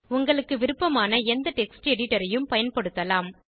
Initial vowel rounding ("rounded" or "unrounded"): rounded